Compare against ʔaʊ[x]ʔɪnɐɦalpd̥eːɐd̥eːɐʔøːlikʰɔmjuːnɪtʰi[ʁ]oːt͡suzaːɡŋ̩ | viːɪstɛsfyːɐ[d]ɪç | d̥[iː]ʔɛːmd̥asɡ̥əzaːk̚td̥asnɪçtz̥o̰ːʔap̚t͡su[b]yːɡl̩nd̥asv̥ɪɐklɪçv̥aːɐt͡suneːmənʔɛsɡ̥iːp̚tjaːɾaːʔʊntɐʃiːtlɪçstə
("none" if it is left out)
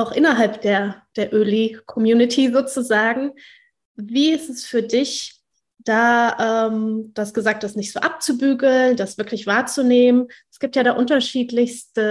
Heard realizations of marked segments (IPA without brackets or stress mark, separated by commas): x, z, d, aː, b